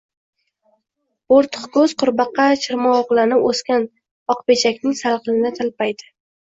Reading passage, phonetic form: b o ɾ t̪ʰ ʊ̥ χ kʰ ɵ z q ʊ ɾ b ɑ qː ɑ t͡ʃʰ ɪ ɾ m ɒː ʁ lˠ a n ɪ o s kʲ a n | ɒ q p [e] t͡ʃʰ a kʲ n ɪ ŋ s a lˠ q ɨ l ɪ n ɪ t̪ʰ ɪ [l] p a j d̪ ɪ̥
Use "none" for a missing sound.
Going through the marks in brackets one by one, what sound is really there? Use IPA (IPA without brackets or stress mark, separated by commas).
e, l